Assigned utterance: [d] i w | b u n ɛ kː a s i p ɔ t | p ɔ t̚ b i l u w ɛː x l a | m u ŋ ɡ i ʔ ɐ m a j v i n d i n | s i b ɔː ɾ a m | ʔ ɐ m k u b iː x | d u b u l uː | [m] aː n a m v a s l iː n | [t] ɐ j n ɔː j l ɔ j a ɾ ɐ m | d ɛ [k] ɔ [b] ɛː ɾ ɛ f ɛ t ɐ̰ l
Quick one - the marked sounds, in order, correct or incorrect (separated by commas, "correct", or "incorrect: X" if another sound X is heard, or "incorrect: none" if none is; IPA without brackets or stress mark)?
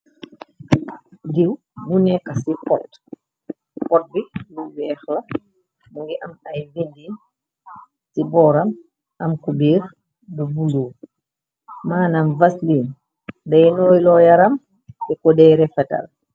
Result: correct, correct, incorrect: d, correct, incorrect: d